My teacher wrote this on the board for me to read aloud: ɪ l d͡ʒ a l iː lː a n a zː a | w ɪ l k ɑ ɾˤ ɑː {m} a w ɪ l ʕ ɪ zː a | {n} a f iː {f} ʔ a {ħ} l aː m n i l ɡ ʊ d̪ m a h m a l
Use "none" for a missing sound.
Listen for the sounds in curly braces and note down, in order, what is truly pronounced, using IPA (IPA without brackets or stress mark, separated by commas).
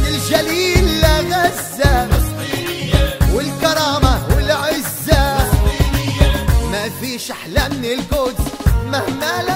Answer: m, m, ʃ, ħ